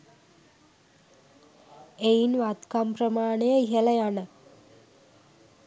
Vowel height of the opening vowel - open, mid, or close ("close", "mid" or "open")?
mid